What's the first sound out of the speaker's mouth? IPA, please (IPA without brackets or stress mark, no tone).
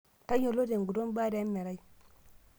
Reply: t